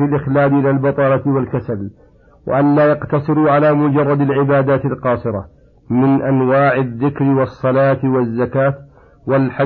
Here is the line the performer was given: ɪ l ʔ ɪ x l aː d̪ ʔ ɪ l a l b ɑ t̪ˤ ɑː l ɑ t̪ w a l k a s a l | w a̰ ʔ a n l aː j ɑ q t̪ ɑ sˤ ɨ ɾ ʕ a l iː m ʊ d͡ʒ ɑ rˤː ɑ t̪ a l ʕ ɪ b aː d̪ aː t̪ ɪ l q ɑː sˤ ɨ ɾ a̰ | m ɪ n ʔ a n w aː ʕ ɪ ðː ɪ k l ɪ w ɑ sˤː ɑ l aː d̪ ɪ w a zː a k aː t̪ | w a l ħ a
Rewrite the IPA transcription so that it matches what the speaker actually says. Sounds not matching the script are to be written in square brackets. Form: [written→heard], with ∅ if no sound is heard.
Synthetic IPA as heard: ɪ l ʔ ɪ x l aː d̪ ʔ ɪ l a l b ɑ t̪ˤ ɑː l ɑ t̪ w a l k a s a l | w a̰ ʔ a n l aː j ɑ q t̪ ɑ sˤ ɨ ɾ ʕ a l [iː→aː] m ʊ d͡ʒ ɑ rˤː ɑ [t̪→d̪] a l ʕ ɪ b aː d̪ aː t̪ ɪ l q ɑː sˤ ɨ ɾ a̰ | m ɪ n ʔ a n w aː ʕ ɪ ðː ɪ k [l→ɾ] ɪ w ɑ sˤː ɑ l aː [d̪→t̪] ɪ w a zː a k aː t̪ | w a l ħ a